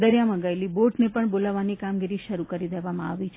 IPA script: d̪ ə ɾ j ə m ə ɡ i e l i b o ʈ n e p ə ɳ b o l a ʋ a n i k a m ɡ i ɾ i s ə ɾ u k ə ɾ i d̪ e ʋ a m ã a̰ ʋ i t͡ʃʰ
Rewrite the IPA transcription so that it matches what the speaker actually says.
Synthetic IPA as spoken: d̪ ə ɾ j a m ə ɡ a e l i b o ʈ n e p ə ɳ b o l a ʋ a n i k a m ɡ i ɾ i ʃ ə ɾ u k ə ɾ i d̪ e ʋ a m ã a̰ ʋ i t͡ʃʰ